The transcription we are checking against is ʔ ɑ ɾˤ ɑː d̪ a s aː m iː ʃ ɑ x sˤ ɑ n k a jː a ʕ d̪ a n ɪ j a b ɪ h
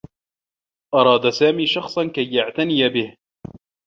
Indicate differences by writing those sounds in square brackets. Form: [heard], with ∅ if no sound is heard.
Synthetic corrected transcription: ʔ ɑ ɾˤ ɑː d̪ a s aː m iː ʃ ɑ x sˤ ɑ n k a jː a ʕ [t̪] a n ɪ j a b ɪ h